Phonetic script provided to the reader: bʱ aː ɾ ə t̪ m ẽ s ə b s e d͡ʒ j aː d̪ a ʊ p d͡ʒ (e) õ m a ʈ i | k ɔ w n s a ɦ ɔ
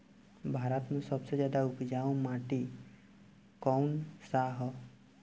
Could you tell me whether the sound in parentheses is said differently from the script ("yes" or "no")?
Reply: yes